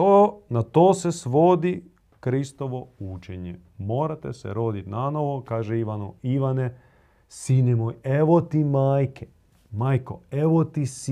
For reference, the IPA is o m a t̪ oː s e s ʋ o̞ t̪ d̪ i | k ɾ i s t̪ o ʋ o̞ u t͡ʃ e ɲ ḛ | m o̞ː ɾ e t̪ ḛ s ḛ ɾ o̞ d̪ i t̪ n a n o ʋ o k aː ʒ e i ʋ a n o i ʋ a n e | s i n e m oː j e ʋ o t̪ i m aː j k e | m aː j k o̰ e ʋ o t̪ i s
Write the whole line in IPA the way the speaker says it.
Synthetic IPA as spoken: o n a t̪ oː s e s ʋ o̞ d̪ i | k ɾ i s t̪ o ʋ o̞ u t͡ʃ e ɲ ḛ | m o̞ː ɾ a t̪ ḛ s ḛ ɾ o̞ d̪ i t̪ n a n o ʋ o k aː ʒ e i ʋ a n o i ʋ a n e | s i n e m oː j e ʋ o t̪ i m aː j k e | m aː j k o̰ e ʋ o t̪ i s